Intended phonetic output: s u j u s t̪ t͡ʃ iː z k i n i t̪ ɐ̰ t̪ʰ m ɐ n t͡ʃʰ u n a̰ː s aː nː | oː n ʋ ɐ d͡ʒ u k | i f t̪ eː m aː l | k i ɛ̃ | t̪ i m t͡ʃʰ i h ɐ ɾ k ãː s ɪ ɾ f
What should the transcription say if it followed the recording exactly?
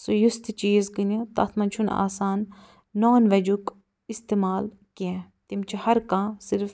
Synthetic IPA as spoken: s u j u s t̪ t͡ʃ iː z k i n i t̪ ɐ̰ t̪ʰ m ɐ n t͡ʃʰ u n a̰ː s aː nː | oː n ʋ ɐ d͡ʒ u k | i s t̪ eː m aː l | k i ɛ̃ | t̪ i m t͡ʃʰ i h ɐ ɾ k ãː s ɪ ɾ f